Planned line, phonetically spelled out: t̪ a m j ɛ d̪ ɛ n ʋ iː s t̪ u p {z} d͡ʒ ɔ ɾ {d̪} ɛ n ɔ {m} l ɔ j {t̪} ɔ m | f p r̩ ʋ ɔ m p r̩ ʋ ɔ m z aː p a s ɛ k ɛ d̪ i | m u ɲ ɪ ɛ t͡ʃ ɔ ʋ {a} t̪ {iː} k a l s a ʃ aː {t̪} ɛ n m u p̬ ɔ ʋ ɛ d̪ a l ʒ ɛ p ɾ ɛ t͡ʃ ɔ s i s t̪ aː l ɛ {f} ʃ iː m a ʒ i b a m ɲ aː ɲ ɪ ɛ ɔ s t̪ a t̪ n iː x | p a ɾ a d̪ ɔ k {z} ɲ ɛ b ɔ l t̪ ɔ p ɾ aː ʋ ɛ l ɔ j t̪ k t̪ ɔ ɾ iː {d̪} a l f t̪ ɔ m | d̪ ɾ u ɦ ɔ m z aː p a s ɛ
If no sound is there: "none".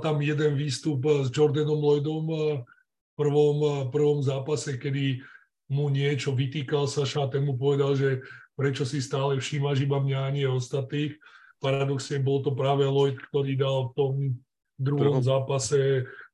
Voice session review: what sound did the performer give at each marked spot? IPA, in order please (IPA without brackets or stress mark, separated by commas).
z, d̪, m, d̪, i, iː, t̪, f, s, d̪